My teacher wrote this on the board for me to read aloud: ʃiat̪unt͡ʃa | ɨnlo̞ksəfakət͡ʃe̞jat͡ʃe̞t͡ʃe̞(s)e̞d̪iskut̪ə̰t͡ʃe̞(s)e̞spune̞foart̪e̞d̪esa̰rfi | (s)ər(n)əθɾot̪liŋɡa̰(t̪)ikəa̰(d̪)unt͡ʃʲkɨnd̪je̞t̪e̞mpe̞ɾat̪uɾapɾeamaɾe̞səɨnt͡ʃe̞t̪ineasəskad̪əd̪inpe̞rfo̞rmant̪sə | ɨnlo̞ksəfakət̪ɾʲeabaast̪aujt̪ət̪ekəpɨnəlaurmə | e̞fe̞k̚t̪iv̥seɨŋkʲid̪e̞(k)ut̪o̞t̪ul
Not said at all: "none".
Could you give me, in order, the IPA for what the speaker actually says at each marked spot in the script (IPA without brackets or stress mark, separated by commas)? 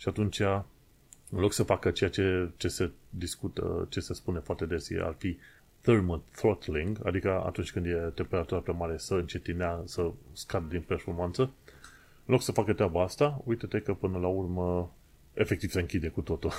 s, s, θ, m, d̪, t̪, k